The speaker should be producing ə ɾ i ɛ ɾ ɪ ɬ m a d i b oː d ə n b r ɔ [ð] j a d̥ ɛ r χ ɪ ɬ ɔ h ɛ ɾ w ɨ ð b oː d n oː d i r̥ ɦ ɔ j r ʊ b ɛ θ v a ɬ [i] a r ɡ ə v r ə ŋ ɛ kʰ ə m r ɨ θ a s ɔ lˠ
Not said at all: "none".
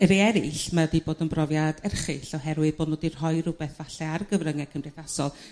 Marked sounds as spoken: v, ɛ

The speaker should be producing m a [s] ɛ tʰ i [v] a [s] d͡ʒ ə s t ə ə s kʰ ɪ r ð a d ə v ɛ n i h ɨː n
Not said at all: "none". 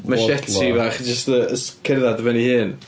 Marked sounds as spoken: ʃ, v, χ

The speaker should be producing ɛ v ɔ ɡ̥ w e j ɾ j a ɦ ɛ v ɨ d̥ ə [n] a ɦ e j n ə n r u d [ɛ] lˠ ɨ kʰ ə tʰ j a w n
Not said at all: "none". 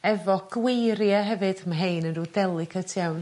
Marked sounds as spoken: m, ɛ

